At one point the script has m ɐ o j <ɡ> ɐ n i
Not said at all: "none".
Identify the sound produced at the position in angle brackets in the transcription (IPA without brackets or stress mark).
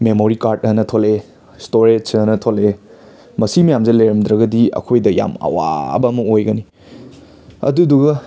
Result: ɡ